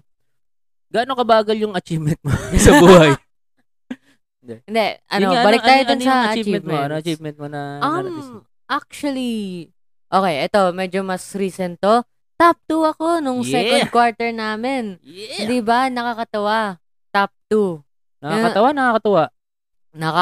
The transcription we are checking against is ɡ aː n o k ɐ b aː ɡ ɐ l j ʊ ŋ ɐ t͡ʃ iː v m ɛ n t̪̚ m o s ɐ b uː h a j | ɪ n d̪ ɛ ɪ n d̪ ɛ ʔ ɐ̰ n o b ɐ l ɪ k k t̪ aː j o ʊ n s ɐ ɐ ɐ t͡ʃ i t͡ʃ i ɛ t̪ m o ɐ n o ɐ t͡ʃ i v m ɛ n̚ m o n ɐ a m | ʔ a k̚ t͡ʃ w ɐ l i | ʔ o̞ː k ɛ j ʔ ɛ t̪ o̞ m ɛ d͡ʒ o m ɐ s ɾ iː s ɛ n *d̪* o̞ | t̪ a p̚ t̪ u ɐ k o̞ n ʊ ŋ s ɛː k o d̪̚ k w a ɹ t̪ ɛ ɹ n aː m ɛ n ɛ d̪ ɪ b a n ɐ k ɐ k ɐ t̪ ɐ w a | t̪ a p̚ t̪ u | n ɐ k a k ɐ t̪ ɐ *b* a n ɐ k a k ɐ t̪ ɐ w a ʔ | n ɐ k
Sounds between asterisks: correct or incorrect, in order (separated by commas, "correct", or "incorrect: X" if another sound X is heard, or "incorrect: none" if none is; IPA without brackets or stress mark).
incorrect: t̪, incorrect: w